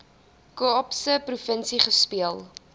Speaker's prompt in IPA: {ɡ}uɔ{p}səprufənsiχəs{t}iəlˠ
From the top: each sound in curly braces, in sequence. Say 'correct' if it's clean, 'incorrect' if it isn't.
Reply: incorrect, correct, incorrect

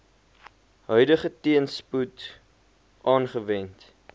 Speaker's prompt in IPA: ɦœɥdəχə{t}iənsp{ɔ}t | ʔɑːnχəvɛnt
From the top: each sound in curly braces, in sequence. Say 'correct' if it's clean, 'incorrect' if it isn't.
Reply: correct, incorrect

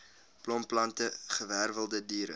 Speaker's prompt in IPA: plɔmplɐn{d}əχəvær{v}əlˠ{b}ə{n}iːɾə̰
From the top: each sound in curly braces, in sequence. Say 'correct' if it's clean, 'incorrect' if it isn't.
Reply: incorrect, correct, incorrect, incorrect

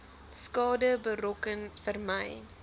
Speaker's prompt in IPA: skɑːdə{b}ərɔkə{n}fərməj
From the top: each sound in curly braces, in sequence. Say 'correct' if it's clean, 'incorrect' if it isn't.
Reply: correct, correct

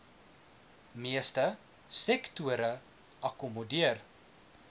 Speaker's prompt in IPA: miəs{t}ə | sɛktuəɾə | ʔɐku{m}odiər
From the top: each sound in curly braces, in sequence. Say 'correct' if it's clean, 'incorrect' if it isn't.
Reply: correct, correct

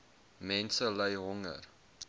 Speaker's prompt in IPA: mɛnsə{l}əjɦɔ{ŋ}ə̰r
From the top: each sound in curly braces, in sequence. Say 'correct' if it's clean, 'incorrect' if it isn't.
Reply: correct, correct

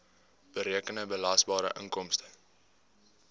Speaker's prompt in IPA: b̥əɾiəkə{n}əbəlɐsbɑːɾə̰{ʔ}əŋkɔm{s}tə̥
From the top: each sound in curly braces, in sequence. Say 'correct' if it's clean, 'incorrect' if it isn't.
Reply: correct, correct, correct

